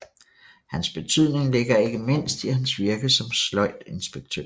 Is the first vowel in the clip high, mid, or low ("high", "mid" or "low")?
low